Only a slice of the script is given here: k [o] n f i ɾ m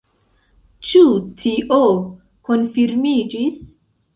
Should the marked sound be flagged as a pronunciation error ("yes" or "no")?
no